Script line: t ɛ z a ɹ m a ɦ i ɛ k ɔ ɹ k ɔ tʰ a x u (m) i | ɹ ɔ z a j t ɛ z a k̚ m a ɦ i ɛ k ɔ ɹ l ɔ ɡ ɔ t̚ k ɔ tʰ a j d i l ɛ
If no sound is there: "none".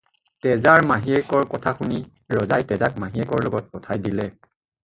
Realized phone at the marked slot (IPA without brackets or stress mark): n